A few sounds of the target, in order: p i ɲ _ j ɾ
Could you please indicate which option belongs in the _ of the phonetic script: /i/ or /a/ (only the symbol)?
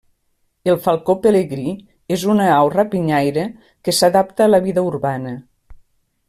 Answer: a